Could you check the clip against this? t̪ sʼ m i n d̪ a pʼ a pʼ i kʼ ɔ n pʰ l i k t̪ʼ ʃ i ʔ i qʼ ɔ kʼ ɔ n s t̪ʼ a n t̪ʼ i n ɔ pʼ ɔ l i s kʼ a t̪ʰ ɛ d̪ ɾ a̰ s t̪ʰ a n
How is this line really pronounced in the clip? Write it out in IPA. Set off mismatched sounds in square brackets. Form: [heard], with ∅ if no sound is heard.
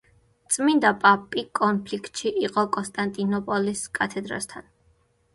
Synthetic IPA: t̪ sʼ m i n d̪ a pʼ a pʼ i kʼ ɔ n pʰ l i k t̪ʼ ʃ i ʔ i qʼ ɔ kʼ ɔ n s t̪ʼ a n t̪ʼ i n ɔ pʼ ɔ l i s kʼ a t̪ʰ ɛ d̪ ɾ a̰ s t̪ʰ a n